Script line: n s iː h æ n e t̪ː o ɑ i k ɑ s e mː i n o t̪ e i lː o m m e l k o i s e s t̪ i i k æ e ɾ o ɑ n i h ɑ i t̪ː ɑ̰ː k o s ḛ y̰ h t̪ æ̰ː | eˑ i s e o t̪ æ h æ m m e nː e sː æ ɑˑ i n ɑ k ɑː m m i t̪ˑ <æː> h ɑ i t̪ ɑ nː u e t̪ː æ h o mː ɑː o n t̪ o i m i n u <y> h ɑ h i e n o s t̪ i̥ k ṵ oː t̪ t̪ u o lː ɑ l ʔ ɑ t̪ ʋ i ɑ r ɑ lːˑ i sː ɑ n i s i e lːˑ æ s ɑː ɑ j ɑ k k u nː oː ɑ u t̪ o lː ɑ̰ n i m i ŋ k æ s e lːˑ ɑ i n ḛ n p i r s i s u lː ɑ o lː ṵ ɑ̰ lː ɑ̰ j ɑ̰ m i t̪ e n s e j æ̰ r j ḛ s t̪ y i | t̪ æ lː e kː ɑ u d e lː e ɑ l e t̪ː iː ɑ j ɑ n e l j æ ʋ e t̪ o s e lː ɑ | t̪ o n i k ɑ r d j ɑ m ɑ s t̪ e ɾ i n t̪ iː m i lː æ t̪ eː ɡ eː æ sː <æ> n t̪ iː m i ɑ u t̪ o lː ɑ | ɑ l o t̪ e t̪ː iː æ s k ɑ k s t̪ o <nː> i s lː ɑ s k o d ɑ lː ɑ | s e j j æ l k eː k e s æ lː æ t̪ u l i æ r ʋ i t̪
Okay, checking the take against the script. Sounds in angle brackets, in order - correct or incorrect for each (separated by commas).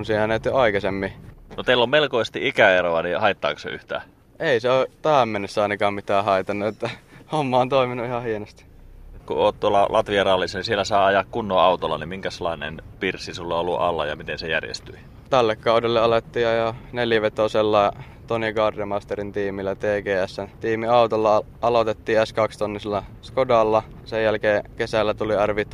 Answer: correct, incorrect, correct, correct